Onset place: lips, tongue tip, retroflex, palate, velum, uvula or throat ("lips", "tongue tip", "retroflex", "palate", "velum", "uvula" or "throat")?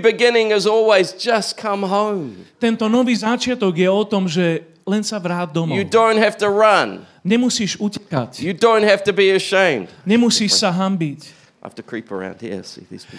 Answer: lips